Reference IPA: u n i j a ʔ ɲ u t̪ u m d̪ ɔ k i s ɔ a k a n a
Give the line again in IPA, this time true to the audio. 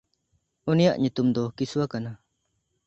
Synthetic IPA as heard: u n i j a ʔ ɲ u t̪ u m d̪ ɔ k i s u a k a n a